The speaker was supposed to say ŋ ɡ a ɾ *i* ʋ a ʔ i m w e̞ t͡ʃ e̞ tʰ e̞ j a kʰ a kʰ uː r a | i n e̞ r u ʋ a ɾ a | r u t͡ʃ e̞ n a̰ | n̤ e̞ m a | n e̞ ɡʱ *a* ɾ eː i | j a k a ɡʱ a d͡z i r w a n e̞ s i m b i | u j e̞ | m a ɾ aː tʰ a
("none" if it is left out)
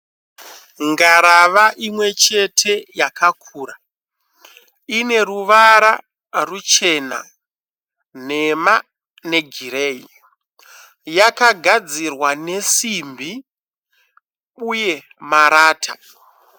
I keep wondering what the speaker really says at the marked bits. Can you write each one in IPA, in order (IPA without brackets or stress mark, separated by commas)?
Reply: a, i